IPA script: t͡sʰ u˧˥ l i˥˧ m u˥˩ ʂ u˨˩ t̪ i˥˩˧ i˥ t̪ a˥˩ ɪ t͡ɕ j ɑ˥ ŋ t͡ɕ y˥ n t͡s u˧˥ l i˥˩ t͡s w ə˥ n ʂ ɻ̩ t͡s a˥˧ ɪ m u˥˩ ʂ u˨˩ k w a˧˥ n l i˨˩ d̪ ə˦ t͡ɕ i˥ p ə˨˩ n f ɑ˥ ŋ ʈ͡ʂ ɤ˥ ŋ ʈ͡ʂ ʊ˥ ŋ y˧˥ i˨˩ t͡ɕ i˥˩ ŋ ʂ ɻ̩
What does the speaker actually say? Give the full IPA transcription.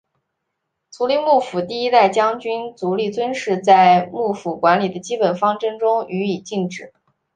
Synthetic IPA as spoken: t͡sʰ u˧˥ l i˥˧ m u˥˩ f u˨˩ t̪ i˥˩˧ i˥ t̪ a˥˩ ɪ t͡ɕ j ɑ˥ ŋ t͡ɕ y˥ n t͡s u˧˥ l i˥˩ t͡s w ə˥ n ʂ ɻ̩ t͡s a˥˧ ɪ m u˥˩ f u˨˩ k w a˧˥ n l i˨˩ d̪ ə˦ t͡ɕ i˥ p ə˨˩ n f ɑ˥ ŋ ʈ͡ʂ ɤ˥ ŋ ʈ͡ʂ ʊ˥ ŋ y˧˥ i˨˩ t͡ɕ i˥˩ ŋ ʈ͡ʂ ɻ̩

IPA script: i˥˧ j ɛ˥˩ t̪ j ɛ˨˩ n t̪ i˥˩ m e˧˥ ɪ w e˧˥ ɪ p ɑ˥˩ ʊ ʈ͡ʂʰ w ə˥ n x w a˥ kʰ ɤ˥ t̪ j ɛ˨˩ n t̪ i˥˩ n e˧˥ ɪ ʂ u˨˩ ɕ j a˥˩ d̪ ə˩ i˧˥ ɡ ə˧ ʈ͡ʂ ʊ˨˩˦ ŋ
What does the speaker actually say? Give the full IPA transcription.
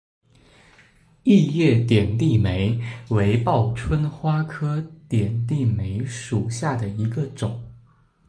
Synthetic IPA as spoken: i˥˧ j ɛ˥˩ t̪ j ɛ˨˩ n t̪ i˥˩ m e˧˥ ɪ w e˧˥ ɪ p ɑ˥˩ ʊ ʈ͡ʂʰ w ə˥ n x w a˥ kʰ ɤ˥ t̪ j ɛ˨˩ n t̪ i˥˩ m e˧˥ ɪ ʂ u˨˩ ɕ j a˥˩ d̪ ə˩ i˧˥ ɡ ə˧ ʈ͡ʂ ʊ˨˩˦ ŋ

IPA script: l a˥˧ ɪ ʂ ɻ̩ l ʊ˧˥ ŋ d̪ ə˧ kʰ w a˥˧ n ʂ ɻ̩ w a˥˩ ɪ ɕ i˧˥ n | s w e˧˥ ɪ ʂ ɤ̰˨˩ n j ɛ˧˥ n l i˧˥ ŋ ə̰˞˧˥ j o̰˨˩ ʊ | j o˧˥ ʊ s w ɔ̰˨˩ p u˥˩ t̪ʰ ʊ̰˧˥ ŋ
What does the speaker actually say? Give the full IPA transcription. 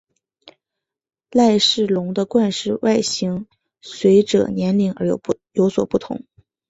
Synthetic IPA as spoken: l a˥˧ ɪ ʂ ɻ̩ l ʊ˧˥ ŋ d̪ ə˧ k w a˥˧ n ʂ ɻ̩ w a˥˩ ɪ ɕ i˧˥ ŋ | s w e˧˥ ɪ ʈ͡ʂ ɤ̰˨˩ n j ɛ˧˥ n l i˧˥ ŋ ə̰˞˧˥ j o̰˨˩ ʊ | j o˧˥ ʊ s w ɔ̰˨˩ p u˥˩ t̪ʰ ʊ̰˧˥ ŋ

